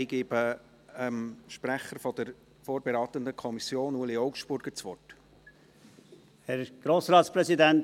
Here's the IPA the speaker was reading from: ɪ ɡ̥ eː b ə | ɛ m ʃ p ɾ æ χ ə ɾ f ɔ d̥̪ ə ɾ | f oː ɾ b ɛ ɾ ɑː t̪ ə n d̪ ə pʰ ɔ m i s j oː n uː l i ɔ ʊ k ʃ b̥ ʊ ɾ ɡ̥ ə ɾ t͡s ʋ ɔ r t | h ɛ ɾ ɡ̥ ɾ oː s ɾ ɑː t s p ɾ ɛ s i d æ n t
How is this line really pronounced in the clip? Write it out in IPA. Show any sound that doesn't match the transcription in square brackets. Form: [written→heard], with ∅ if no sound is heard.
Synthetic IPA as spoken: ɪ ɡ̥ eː b ə | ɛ m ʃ p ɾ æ χ ə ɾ f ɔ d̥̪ ə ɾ | f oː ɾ b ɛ ɾ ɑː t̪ ə n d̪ ə [pʰ→kʰ] ɔ m i s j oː n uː l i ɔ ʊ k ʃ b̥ ʊ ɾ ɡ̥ ə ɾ t͡s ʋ ɔ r t | h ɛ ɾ ɡ̥ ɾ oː s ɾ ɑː t s p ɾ ɛ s i d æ n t